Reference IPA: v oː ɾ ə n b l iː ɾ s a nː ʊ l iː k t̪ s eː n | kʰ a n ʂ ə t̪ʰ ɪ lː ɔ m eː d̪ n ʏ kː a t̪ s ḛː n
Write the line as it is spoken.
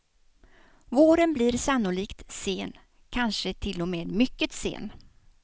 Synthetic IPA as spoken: v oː ɾ ə n b l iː ɾ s a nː ʊ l iː k t̪ s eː n | kʰ a n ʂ ə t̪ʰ ɪ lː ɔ m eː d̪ m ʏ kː ə t̪ s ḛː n